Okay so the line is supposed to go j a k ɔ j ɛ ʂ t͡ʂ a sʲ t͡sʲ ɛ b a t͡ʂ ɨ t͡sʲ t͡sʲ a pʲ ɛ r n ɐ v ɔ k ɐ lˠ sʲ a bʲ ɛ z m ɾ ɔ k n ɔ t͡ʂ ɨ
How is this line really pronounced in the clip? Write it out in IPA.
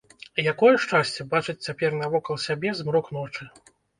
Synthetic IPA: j a k ɔ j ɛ ʂ t͡ʂ a sʲ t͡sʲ ɛ b a t͡ʂ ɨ t͡sʲ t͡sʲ a pʲ ɛ r n ɐ v ɔ k ɐ lˠ sʲ a bʲ ɛ z m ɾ ɔ k n ɔ t͡ʂ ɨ